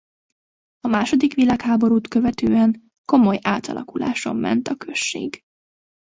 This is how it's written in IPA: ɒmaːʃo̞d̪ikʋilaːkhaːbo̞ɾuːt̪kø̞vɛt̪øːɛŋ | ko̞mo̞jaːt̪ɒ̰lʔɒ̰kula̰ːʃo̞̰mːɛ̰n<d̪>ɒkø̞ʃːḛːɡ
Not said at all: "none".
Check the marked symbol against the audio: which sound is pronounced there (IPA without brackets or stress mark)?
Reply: t̪